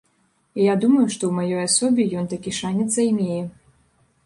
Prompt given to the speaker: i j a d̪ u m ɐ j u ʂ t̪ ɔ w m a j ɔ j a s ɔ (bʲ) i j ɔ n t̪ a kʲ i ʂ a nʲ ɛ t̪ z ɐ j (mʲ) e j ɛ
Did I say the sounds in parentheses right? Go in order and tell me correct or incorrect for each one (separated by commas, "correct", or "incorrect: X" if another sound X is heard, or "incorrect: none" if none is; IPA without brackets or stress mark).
correct, correct